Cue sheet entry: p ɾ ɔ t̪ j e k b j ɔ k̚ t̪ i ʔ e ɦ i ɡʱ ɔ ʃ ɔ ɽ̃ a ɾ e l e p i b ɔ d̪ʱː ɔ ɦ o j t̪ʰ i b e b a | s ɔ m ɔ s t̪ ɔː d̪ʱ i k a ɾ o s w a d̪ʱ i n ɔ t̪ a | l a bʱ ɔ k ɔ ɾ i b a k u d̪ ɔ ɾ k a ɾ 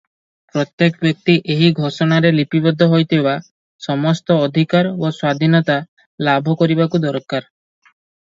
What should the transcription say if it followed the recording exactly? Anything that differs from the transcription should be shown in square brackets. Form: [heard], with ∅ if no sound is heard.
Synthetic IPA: p ɾ ɔ t̪ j e k b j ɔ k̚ t̪ i ʔ e ɦ i ɡʱ ɔ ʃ ɔ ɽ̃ a ɾ e l [i] p i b ɔ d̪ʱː ɔ ɦ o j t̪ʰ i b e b a | s ɔ m ɔ s t̪ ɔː d̪ʱ i k a ɾ o s w a d̪ʱ i n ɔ t̪ a | l a bʱ ɔ k ɔ ɾ i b a k u d̪ ɔ ɾ k a ɾ

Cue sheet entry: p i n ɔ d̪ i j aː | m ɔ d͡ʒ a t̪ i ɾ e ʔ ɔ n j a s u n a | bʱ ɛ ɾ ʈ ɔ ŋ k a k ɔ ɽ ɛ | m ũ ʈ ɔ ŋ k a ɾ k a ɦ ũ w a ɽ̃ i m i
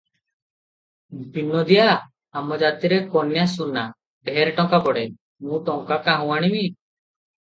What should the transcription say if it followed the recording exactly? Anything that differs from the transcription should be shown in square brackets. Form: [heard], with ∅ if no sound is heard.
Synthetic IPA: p i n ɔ d̪ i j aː | m ɔ d͡ʒ a t̪ i ɾ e [k] ɔ n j a s u n a | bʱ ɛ ɾ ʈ ɔ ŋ k a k ɔ ɽ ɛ | m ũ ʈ ɔ ŋ k a [∅] k a ɦ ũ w a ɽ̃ i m i

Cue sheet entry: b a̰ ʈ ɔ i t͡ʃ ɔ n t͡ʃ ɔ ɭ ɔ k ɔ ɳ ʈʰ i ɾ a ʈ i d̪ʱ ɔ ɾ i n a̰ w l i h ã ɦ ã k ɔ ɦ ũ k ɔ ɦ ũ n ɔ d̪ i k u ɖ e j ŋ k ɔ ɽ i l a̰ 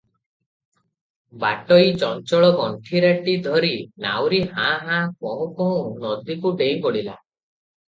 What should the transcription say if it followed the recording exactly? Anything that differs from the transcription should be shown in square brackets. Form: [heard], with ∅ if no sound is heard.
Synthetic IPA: b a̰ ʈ ɔ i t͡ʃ ɔ n t͡ʃ ɔ ɭ ɔ [ɡ] ɔ ɳ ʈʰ i ɾ a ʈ i d̪ʱ ɔ ɾ i n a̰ w [ɾ] i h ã ɦ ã k ɔ ɦ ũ k ɔ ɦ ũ n ɔ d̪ i k u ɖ e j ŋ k ɔ ɽ i l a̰

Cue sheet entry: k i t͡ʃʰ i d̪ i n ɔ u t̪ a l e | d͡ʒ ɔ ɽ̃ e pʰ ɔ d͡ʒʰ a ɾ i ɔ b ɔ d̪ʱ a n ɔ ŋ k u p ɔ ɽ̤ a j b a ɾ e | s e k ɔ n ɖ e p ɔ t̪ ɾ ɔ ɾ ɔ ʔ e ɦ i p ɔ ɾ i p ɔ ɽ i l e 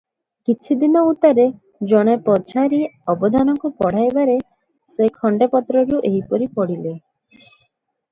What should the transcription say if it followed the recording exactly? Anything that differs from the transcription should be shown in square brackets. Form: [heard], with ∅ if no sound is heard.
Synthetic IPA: k i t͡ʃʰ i d̪ i n ɔ u t̪ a [ɾ] e | d͡ʒ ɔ ɽ̃ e [p] ɔ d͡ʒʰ a ɾ i ɔ b ɔ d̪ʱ a n ɔ ŋ k u p ɔ ɽ̤ a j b a ɾ e | s e [kʰ] ɔ [ɳ] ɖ e p ɔ t̪ ɾ ɔ ɾ [u] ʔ e ɦ i p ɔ ɾ i p ɔ ɽ i l e

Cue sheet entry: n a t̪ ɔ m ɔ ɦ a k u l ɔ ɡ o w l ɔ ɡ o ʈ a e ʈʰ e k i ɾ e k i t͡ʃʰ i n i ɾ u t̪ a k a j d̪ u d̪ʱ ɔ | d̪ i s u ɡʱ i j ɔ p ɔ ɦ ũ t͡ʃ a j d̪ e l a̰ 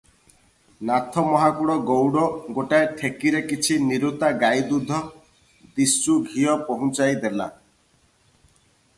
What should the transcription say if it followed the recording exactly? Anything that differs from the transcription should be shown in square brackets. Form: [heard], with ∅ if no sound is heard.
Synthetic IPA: n a [t̪ʰ] ɔ m ɔ ɦ a k u [ɽ] ɔ ɡ o w [ɽ] ɔ ɡ o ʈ a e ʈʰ e k i ɾ e k i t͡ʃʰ i n i ɾ u t̪ a [ɡ] a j d̪ u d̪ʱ ɔ | d̪ i s u ɡʱ i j ɔ p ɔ ɦ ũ t͡ʃ a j d̪ e l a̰

